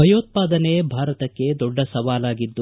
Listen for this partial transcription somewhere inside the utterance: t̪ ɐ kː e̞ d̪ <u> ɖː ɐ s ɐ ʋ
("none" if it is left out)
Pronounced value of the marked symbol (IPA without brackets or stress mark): ɔ